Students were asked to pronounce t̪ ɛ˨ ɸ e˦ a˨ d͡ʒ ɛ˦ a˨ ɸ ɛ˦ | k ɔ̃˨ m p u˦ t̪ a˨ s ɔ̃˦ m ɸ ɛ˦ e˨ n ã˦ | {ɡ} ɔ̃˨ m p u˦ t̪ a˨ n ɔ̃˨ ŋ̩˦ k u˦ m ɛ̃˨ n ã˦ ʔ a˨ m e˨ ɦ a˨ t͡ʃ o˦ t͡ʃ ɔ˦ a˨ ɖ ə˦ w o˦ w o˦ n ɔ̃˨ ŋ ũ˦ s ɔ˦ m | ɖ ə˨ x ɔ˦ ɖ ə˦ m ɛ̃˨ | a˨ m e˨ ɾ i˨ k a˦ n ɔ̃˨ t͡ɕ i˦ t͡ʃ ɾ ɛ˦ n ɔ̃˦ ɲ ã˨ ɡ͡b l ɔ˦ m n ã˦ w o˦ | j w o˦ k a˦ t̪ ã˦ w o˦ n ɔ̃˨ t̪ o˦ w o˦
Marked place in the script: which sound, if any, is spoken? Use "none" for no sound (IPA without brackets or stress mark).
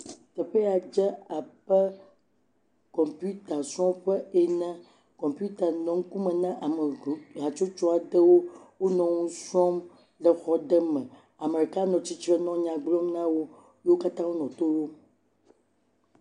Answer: k